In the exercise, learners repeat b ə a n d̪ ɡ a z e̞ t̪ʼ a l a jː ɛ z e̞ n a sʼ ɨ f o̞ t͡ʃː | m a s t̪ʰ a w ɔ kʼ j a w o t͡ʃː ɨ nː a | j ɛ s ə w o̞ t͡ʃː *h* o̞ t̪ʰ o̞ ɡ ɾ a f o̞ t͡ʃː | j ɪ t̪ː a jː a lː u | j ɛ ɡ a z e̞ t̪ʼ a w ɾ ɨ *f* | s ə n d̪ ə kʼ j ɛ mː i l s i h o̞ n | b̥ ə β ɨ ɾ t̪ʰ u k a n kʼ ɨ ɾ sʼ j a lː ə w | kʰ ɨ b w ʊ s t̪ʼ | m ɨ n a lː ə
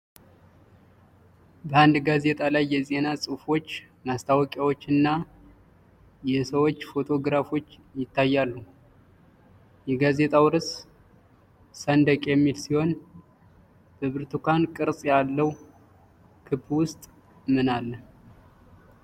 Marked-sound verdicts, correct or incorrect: incorrect: f, incorrect: s

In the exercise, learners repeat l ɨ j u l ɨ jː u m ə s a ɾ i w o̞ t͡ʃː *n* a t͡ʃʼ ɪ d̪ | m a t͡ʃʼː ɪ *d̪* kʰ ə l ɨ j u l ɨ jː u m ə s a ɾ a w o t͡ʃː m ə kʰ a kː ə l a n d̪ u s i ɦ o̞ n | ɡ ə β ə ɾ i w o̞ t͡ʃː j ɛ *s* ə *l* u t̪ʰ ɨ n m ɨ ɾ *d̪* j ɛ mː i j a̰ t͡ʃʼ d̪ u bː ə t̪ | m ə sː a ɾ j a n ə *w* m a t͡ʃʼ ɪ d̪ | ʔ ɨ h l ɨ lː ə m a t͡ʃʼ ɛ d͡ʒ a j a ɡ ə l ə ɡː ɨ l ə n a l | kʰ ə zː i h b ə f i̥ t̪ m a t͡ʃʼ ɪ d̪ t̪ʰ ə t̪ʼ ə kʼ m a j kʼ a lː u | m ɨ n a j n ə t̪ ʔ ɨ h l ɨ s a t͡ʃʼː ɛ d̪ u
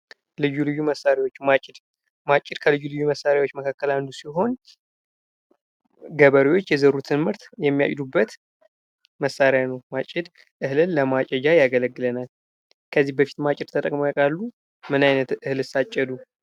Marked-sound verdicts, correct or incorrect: incorrect: m, correct, incorrect: z, incorrect: ɾ, incorrect: t̪, correct

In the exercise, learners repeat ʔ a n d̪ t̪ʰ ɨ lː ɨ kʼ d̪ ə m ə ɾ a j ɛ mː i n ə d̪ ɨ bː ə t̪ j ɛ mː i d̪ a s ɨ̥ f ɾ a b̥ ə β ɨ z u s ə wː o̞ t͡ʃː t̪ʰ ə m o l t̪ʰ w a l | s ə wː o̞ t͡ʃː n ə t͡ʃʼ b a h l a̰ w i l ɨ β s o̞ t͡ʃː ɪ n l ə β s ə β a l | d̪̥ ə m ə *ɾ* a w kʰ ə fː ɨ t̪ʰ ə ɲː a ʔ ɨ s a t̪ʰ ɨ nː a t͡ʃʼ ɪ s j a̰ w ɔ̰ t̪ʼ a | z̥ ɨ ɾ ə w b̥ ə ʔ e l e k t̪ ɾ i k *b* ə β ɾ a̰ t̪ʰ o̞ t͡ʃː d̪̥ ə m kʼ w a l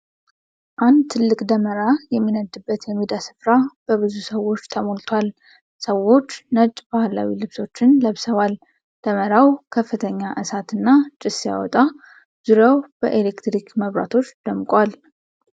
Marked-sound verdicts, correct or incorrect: correct, incorrect: m

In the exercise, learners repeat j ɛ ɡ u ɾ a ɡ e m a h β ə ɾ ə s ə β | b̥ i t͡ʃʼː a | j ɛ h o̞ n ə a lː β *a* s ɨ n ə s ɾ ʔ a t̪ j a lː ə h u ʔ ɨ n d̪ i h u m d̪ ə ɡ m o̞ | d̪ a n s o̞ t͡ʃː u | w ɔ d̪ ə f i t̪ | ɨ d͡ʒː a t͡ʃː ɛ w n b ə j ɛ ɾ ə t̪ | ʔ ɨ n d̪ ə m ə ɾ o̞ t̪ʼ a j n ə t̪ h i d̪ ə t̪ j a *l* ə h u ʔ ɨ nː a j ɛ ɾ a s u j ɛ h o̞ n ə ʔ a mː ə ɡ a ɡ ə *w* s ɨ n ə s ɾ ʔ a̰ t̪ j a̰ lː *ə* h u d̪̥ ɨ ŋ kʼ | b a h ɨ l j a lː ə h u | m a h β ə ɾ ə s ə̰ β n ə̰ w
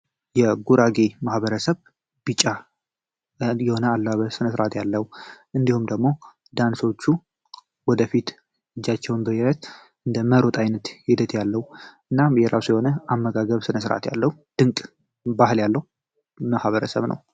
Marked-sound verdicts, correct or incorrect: incorrect: ə, incorrect: lː, incorrect: β, correct

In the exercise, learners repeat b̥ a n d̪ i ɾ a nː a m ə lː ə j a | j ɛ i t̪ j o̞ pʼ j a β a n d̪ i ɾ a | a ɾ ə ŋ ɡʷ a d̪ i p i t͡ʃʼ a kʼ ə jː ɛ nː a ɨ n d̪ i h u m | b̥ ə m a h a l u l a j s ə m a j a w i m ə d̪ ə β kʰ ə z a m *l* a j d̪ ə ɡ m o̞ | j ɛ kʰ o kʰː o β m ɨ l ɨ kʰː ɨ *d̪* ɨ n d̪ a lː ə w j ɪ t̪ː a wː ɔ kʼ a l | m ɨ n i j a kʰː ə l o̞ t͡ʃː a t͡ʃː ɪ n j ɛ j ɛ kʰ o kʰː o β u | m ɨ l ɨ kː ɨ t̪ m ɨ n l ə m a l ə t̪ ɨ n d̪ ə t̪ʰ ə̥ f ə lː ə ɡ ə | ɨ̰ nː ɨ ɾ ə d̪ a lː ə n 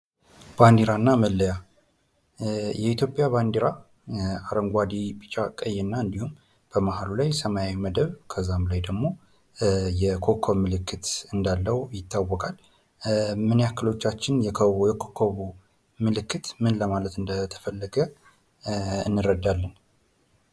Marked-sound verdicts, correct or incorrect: correct, incorrect: t̪

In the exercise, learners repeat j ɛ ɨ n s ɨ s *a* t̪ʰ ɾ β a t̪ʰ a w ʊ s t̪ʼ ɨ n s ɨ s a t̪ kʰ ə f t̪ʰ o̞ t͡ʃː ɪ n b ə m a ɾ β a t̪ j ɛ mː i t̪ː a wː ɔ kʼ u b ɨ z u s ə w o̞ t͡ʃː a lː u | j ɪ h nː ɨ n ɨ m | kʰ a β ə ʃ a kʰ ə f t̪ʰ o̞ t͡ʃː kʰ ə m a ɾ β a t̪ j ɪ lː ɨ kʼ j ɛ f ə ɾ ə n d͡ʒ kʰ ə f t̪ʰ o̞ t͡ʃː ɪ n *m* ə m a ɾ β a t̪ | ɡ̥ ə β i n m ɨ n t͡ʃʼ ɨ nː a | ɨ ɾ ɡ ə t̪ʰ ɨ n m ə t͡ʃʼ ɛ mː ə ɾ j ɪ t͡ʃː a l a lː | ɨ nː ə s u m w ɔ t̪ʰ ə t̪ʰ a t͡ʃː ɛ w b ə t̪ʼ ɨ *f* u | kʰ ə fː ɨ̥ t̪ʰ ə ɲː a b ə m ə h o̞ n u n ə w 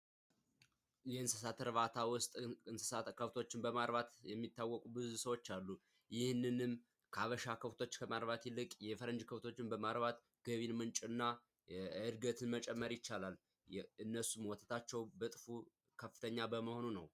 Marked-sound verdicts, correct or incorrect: correct, incorrect: b, correct

